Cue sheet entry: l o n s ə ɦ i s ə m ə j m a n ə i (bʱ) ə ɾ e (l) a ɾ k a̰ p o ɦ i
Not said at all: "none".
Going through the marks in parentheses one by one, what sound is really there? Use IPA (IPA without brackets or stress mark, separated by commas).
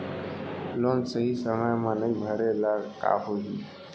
bʱ, l